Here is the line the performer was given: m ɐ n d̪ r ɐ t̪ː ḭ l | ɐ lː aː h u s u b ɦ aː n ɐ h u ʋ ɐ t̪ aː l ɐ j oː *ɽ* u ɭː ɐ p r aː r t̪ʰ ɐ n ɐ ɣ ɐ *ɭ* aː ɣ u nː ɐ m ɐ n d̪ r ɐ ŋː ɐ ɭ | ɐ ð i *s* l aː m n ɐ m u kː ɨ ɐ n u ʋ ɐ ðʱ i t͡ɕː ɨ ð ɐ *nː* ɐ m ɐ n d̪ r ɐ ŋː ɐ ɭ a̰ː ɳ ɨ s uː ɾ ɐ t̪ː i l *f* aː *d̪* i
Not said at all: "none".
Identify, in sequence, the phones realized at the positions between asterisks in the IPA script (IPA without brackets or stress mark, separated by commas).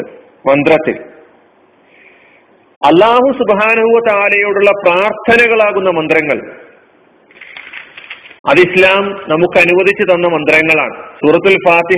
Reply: ɽ, ɭ, s, nː, f, t̪